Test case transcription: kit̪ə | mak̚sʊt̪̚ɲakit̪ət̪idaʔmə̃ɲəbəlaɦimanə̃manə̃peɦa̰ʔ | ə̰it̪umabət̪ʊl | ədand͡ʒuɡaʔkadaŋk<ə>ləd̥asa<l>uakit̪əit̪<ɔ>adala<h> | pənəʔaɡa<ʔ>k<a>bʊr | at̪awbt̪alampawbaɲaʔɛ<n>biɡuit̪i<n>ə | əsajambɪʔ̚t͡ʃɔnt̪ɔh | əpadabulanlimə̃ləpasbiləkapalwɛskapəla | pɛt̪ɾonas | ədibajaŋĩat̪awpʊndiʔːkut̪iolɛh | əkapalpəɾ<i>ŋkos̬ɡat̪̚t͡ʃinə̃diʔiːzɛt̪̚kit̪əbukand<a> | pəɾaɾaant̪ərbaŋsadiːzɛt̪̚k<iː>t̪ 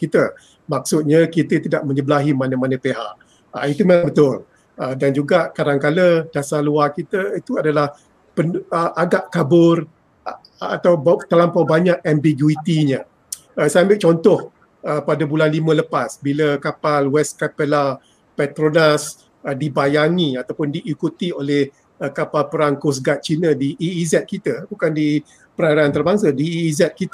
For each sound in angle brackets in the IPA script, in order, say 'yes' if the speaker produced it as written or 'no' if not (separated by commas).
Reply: no, yes, no, yes, yes, yes, no, no, no, no, no